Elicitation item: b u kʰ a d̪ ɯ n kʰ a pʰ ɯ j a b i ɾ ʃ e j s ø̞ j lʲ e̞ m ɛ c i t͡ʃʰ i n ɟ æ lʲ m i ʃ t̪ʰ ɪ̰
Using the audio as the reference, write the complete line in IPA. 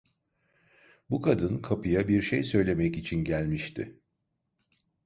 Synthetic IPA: b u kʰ a d̪ ɯ n kʰ a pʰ ɯ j a b i ɾ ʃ e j s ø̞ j lʲ e̞ m ɛ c i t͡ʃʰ i n ɟ æ lʲ m i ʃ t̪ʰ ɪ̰